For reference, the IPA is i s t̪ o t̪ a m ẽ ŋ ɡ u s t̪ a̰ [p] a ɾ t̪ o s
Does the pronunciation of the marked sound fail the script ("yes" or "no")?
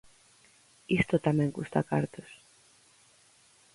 yes